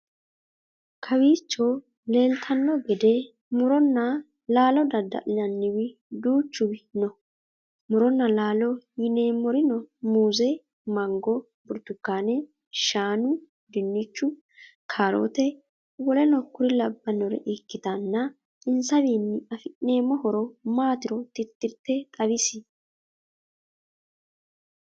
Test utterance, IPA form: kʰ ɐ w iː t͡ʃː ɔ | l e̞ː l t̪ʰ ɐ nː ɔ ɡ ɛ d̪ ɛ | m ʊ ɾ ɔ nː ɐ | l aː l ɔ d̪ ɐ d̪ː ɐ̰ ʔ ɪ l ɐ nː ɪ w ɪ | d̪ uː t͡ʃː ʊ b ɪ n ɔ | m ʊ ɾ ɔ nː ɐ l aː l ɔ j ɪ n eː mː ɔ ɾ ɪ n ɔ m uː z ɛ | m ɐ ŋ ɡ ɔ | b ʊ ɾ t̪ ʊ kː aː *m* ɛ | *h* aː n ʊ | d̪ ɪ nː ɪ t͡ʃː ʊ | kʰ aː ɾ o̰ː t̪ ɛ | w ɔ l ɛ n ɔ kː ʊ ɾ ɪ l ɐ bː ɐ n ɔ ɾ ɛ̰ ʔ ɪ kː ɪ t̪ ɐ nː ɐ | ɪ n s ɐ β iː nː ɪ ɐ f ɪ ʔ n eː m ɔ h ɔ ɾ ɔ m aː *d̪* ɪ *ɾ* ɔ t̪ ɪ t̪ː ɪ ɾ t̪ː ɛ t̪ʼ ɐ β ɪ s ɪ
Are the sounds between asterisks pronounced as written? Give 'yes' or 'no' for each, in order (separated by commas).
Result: no, no, no, yes